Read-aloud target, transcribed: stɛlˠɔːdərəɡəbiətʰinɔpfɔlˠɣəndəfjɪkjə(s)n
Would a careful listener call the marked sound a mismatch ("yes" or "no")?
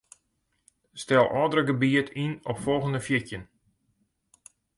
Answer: yes